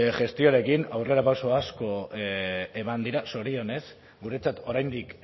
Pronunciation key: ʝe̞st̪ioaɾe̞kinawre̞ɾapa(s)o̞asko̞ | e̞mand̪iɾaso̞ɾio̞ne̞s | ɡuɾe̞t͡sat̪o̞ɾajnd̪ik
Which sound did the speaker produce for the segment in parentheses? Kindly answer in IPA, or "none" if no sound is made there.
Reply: s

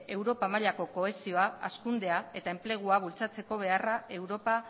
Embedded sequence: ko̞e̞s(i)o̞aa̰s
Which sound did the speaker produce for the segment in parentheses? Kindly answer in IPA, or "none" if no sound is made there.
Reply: i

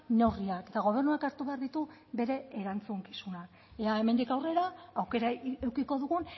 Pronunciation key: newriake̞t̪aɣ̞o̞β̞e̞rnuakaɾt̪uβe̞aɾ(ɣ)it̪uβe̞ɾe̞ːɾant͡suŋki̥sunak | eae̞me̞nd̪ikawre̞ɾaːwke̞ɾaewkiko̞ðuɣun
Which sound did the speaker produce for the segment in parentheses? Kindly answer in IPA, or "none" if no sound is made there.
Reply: ð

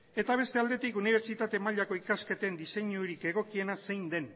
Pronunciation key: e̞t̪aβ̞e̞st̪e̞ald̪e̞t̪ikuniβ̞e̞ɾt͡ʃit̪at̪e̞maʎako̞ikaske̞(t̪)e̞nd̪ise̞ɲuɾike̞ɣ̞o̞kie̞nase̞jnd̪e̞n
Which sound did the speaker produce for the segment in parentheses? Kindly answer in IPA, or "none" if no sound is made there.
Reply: t̪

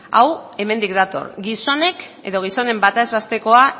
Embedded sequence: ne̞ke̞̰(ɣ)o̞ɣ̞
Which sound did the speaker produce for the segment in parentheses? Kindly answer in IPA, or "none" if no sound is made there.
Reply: ð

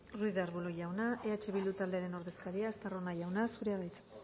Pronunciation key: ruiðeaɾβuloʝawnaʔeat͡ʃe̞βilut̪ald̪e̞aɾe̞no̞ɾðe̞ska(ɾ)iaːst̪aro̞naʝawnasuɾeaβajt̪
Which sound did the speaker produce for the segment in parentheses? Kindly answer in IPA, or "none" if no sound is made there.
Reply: ɾ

